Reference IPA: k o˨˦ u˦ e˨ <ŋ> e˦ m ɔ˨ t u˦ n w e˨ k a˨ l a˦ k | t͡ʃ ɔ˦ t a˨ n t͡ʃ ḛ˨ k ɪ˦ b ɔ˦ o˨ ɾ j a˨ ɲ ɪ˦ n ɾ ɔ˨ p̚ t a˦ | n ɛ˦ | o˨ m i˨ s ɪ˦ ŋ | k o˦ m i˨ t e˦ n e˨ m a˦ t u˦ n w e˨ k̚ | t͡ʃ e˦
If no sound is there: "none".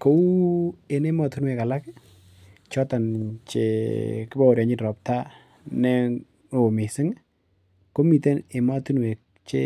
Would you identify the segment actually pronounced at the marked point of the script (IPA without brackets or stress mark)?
n